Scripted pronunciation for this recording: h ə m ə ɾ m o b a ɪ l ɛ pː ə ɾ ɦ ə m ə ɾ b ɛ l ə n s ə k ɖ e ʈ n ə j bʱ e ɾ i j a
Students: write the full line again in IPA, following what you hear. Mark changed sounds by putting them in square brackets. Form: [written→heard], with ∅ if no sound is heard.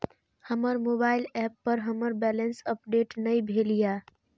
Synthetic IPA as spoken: h ə m ə ɾ m o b a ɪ l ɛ pː ə ɾ ɦ ə m ə ɾ b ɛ l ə n s ə [k→p] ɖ e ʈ n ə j bʱ e [ɾ→l] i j a